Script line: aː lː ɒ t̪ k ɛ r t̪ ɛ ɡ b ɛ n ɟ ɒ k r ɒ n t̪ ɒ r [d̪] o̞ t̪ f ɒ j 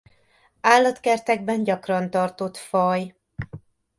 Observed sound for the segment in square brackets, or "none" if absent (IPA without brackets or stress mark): t̪